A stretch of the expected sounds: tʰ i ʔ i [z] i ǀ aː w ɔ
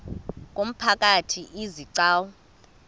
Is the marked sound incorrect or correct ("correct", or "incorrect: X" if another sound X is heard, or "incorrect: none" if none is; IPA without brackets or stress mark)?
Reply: correct